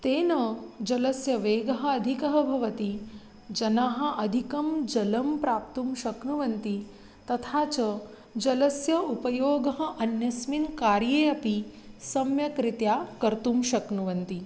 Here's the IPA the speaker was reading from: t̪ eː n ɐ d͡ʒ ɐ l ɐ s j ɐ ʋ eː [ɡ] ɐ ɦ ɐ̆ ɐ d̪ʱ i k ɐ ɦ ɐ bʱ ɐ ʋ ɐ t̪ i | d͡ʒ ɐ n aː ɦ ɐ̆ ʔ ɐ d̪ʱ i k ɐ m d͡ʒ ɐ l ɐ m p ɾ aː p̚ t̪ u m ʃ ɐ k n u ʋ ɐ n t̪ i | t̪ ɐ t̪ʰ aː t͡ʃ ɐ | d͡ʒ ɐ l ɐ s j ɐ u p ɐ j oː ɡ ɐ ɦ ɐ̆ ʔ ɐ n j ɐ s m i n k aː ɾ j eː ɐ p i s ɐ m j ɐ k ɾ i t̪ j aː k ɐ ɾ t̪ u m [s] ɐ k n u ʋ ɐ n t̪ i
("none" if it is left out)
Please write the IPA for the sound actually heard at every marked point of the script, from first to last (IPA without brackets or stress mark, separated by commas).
ɡ, ʃ